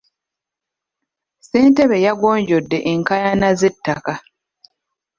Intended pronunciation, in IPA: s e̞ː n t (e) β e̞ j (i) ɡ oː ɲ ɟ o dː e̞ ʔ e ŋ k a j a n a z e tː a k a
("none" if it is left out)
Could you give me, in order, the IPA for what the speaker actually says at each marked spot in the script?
e, a

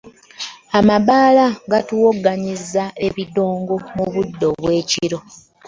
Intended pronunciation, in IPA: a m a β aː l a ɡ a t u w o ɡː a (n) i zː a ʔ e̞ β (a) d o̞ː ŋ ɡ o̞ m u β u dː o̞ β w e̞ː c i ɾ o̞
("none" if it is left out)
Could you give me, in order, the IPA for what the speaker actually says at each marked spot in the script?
ɲ, i

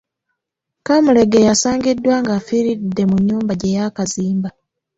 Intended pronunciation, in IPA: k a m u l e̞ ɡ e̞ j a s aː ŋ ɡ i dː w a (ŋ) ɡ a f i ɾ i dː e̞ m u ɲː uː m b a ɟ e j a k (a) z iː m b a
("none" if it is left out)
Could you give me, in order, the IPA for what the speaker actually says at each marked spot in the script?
ŋ, a

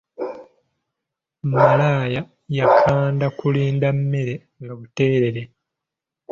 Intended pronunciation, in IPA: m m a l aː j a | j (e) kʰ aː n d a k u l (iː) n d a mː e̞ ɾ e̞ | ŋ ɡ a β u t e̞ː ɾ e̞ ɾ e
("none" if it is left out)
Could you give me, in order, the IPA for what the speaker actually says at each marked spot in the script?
a, iː

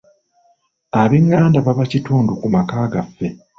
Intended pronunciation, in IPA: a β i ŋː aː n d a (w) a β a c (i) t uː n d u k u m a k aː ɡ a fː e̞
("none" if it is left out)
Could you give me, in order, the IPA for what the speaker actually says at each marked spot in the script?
β, i

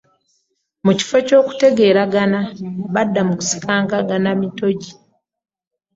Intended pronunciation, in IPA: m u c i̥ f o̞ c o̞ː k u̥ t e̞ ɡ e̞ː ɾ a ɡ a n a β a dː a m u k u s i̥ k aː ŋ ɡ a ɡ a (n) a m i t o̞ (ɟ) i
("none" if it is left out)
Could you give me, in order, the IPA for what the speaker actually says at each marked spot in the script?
n, ɟ

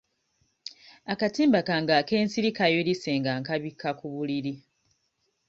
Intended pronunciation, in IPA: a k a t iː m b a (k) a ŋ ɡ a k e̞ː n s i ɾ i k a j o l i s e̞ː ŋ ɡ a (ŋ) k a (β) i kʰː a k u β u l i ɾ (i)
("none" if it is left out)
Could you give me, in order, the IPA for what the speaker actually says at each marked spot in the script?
k, ŋ, β, i

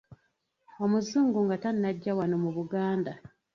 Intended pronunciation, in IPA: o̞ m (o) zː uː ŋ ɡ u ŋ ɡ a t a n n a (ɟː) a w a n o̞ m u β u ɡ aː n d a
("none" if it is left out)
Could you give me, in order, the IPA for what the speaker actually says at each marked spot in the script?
u, ɟː

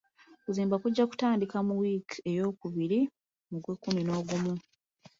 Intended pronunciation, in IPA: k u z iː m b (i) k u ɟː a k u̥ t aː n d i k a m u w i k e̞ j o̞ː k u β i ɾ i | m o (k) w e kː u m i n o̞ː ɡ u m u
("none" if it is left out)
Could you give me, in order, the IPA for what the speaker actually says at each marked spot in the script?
a, ɡ

